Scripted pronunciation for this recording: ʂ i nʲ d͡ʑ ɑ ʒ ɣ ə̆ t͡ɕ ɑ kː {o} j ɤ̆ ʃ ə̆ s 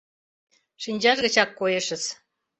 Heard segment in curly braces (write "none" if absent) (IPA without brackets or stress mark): o